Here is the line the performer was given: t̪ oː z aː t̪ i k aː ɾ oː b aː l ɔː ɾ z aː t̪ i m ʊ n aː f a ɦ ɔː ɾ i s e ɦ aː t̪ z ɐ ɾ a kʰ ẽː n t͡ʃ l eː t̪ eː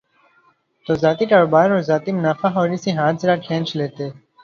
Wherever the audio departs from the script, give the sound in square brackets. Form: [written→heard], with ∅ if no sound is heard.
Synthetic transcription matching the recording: t̪ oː z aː t̪ i k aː ɾ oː b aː [l→ɾ] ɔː ɾ z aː t̪ i m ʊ n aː f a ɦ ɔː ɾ i s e ɦ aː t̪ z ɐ ɾ a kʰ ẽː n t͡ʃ l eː t̪ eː